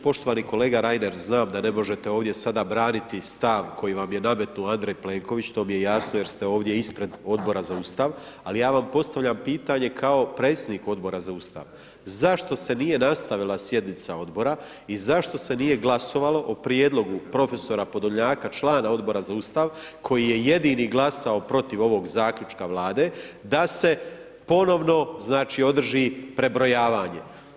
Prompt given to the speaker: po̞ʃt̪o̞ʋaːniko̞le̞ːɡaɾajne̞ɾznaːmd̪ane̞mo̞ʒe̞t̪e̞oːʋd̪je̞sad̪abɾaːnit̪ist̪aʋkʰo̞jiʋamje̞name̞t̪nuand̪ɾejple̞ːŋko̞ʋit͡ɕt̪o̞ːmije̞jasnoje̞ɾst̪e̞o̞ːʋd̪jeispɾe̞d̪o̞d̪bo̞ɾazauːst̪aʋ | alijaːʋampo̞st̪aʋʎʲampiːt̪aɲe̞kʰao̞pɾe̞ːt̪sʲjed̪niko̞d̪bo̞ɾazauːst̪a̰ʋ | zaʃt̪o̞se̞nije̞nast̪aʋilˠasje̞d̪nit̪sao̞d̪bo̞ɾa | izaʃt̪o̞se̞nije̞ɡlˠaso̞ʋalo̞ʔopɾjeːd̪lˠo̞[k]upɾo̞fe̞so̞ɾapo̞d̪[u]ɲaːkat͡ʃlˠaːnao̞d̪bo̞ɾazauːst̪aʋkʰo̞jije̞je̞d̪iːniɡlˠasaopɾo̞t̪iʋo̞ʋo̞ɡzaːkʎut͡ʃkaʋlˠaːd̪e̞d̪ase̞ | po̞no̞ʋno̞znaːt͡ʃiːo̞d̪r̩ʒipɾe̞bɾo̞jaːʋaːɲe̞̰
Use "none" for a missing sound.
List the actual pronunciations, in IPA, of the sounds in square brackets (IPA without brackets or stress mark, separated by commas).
ɡ, o